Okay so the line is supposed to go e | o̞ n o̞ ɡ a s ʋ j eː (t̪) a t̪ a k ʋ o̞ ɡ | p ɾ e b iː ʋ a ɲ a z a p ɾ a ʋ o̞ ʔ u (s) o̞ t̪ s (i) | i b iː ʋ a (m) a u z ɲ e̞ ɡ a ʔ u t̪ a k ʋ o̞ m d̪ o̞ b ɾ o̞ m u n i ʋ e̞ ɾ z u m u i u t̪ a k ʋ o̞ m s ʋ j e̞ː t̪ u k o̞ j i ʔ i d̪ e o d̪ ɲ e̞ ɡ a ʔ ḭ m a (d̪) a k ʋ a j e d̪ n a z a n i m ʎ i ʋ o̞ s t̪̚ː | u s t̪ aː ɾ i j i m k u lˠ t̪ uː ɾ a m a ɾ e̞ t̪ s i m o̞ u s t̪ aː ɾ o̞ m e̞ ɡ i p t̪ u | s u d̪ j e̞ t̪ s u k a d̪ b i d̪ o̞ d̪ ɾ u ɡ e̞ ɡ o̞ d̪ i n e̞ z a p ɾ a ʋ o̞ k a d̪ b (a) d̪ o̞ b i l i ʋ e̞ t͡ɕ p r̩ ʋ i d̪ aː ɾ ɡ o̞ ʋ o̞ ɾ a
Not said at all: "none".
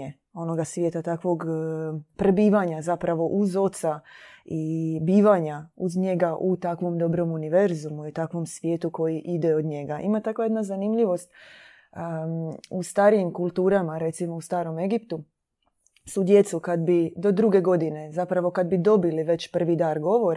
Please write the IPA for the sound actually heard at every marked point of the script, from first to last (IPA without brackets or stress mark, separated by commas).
t̪, z, a, ɲ, t̪, i